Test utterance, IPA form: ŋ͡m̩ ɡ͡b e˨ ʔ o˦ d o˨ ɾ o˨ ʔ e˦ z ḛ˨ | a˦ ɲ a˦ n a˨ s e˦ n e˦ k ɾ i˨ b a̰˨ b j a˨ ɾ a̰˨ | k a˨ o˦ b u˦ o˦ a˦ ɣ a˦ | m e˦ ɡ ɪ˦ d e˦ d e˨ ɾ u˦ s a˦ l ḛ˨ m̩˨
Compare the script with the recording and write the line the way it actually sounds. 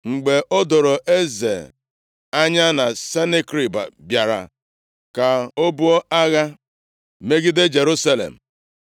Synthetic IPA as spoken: ŋ͡m̩ ɡ͡b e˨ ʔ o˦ d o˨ ɾ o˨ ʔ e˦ z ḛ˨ | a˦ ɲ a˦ n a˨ s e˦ n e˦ k ɾ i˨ b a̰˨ b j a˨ ɾ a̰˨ | k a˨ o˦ b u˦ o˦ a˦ ɣ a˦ | m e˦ ɡ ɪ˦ d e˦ d͡ʒ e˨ ɾ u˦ s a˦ l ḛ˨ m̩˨

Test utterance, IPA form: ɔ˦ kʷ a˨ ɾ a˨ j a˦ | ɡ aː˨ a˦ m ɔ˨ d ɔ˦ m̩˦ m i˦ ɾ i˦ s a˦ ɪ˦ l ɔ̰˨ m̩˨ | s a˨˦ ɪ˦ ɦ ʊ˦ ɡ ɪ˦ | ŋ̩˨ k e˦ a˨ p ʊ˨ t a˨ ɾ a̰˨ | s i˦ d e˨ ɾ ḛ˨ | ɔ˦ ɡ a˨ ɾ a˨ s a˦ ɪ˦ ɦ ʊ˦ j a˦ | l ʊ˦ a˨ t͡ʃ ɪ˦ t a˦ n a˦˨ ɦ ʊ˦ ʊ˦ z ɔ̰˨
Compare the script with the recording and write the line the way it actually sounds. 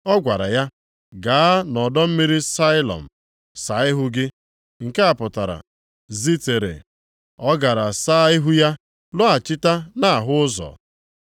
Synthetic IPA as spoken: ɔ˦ ɡʷ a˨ ɾ a˨ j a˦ | ɡ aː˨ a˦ n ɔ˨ d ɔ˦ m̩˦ m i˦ ɾ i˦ s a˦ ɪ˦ l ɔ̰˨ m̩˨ | s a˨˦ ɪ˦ ɦ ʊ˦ ɡ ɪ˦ | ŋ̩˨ k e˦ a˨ p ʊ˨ t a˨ ɾ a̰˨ | z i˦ t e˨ ɾ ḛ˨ | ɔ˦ ɡ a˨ ɾ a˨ s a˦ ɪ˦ ɦ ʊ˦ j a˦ | l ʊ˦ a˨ t͡ʃ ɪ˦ t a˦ n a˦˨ ɦ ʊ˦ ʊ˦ z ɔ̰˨

